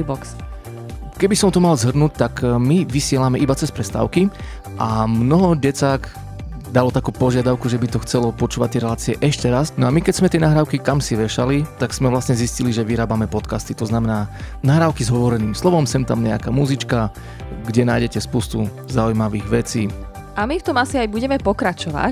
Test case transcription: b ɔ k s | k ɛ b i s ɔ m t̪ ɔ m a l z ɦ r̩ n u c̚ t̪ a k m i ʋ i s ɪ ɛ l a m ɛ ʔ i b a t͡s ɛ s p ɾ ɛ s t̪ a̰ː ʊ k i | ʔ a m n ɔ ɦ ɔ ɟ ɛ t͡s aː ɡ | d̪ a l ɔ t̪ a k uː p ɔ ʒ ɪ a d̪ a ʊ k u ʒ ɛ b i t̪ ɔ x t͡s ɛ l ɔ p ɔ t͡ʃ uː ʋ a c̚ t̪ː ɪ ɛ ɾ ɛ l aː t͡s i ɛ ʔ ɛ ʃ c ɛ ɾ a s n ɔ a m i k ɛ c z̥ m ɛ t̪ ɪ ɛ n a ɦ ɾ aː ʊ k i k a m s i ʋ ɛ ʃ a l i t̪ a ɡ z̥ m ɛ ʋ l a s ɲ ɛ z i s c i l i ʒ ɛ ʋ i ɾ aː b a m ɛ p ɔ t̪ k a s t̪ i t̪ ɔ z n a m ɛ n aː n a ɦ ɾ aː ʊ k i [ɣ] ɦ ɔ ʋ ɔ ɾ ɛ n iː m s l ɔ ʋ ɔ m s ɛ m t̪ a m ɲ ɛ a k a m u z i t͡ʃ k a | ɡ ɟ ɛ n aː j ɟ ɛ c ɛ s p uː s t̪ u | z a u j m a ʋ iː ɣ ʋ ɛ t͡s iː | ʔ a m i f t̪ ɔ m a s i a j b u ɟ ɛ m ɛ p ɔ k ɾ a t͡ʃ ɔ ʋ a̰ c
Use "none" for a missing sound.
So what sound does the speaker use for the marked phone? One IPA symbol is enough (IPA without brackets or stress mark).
z